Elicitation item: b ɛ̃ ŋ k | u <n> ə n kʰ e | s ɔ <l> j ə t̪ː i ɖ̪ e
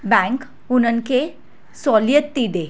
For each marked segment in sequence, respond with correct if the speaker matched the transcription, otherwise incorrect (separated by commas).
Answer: correct, correct